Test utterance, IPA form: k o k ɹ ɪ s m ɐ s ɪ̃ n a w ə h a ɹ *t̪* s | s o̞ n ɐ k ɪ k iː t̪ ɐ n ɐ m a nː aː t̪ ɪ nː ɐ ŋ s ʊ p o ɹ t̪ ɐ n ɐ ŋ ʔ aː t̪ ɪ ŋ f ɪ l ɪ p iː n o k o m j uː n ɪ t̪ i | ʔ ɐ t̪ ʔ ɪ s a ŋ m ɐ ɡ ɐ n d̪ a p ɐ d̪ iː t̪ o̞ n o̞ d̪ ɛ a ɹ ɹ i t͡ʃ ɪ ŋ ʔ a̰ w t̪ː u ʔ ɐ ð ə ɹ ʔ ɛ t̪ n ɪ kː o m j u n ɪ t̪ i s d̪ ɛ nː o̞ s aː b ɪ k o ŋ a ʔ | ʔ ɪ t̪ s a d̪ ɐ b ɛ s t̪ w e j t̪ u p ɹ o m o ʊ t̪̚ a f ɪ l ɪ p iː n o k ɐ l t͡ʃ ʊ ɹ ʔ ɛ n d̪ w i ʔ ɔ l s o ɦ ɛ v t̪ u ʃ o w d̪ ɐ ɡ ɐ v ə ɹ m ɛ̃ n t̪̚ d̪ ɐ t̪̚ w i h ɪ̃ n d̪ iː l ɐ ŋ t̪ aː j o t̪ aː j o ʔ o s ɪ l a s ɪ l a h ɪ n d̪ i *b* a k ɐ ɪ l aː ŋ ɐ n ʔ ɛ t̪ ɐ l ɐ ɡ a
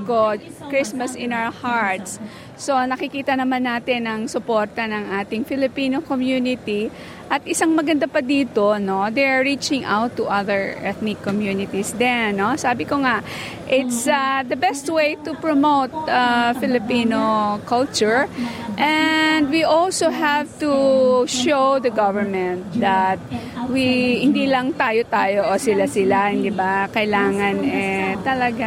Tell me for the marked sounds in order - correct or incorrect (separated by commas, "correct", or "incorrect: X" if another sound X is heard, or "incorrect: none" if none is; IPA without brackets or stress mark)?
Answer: correct, correct